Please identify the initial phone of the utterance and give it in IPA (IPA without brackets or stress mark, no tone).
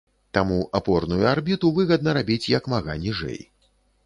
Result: t̪